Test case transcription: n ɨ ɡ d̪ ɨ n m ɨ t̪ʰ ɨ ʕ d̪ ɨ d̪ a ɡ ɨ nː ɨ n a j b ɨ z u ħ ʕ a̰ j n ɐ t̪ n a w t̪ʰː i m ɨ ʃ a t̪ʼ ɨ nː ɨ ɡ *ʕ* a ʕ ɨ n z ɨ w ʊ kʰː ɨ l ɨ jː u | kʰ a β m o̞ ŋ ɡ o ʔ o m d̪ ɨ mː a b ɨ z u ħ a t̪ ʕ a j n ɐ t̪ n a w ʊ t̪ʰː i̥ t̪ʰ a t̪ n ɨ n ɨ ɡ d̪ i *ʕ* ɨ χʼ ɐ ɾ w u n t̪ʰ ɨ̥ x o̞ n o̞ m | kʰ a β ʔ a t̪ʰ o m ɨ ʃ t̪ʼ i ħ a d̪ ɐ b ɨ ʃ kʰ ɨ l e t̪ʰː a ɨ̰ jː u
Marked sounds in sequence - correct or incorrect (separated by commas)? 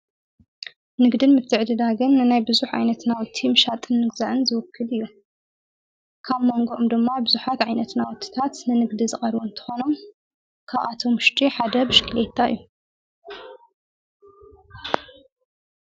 incorrect, incorrect